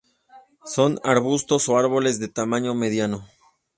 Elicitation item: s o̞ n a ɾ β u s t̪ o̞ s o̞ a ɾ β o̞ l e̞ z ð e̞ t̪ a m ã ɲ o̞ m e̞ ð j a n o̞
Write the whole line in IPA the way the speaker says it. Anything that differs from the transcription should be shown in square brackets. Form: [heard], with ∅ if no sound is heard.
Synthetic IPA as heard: s o̞ n a ɾ β u s t̪ o̞ s o̞ a ɾ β o̞ l e̞ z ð e̞ t̪ a m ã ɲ o̞ m e̞ ð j a n o̞